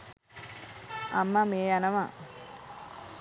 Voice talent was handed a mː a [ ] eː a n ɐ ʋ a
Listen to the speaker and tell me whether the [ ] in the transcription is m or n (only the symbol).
m